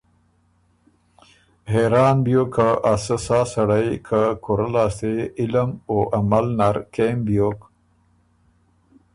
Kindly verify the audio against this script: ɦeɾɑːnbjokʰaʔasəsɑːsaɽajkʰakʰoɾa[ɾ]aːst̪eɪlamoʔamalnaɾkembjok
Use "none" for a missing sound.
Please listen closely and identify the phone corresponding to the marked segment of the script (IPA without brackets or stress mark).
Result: l